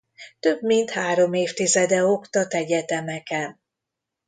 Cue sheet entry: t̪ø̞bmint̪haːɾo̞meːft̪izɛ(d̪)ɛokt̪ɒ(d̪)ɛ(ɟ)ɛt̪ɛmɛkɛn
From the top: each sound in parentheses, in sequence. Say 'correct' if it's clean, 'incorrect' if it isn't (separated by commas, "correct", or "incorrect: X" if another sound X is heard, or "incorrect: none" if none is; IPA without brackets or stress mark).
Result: correct, incorrect: t̪, correct